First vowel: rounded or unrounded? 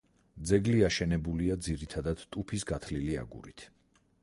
unrounded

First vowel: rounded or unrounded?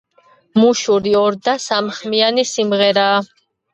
rounded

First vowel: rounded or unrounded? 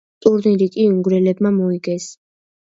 rounded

